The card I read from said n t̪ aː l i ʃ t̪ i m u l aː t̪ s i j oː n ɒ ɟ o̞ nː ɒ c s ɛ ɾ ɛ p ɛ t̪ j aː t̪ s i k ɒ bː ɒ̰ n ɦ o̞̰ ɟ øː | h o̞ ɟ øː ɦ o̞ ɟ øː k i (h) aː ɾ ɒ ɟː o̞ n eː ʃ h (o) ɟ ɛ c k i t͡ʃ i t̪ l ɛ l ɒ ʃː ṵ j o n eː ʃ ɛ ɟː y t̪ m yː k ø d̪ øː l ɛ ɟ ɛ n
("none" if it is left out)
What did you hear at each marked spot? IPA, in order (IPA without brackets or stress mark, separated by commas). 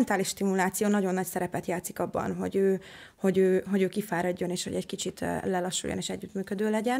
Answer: f, o